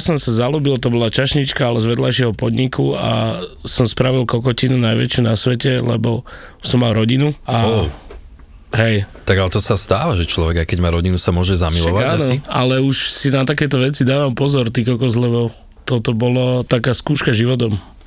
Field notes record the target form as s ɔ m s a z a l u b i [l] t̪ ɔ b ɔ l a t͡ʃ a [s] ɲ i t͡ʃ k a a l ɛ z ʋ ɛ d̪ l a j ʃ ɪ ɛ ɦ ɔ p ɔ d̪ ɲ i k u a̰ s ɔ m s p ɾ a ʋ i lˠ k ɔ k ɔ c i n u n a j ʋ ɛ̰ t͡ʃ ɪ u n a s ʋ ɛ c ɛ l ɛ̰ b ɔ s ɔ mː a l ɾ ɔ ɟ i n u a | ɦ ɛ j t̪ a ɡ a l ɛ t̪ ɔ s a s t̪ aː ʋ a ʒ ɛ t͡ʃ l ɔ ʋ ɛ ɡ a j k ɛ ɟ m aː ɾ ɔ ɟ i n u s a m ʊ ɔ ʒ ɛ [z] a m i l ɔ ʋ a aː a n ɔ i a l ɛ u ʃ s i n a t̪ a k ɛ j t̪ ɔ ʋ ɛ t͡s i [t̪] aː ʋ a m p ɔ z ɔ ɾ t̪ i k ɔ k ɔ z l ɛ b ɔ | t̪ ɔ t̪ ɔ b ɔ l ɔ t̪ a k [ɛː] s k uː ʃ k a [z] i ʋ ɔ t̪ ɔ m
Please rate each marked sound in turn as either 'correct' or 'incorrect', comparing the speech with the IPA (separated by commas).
correct, incorrect, correct, incorrect, incorrect, incorrect